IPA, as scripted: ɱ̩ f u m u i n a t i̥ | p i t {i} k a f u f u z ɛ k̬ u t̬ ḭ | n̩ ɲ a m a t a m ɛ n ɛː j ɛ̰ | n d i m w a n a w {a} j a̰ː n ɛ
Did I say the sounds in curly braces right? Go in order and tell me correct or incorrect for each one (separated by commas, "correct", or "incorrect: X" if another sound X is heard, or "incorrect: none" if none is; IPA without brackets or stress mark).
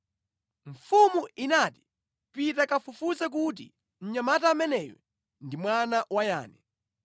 incorrect: a, correct